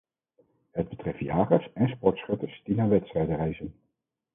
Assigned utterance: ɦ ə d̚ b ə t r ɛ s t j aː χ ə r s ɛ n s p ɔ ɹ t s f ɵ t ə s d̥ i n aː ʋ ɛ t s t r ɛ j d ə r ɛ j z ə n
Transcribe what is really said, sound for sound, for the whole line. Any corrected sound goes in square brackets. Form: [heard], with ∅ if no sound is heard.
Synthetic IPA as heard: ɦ ə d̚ b ə t r ɛ [f] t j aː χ ə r s ɛ n s p ɔ ɹ t s [χ] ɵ t ə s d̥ i n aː ʋ ɛ t s t r ɛ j d ə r ɛ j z ə n